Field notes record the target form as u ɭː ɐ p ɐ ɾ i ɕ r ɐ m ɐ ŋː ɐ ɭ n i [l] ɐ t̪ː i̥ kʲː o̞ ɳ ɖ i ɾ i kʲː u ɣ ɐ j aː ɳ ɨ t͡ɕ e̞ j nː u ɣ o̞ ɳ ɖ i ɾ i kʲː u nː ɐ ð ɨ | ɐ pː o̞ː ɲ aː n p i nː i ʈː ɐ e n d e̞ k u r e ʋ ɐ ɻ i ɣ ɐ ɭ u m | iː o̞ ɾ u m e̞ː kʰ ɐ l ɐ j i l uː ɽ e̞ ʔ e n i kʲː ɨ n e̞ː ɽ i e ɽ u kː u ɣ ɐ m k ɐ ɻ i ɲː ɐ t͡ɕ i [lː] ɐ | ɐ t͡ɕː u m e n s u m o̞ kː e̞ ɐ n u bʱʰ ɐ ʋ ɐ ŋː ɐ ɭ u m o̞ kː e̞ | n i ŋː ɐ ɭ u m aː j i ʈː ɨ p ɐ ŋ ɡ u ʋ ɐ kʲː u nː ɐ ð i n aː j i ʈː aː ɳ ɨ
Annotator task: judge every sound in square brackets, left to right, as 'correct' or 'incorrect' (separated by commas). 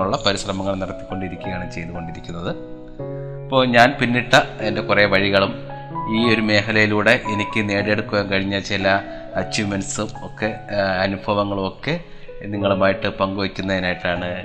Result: incorrect, incorrect